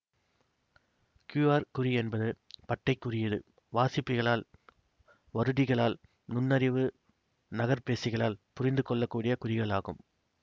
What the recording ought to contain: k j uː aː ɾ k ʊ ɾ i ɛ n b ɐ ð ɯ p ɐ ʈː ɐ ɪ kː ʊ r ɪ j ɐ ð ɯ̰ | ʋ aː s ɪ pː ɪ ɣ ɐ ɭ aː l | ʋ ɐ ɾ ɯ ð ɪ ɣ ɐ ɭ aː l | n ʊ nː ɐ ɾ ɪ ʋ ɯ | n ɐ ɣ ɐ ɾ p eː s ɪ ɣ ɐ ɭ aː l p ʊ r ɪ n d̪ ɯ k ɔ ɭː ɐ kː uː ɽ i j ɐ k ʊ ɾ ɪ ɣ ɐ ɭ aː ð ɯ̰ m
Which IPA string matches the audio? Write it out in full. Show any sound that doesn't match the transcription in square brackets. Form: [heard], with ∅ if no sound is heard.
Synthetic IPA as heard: k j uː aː ɾ k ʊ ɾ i ɛ n b ɐ ð ɯ p ɐ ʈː ɐ ɪ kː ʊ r ɪ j ɐ ð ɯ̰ | ʋ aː s ɪ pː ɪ ɣ ɐ ɭ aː l | ʋ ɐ ɾ ɯ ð ɪ ɣ ɐ ɭ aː l | n ʊ nː ɐ ɾ ɪ ʋ ɯ | n ɐ ɣ ɐ ɾ p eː s ɪ ɣ ɐ ɭ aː l p ʊ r ɪ n d̪ ɯ k ɔ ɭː ɐ kː uː ɽ [ɪ] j ɐ k ʊ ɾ ɪ ɣ ɐ ɭ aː [ɣ] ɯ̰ m